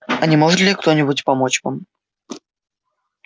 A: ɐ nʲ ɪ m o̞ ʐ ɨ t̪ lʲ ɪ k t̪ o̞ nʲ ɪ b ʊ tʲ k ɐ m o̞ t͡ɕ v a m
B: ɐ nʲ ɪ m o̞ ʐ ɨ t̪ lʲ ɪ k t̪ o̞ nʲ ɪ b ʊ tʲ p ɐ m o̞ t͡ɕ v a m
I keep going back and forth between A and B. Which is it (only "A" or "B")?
B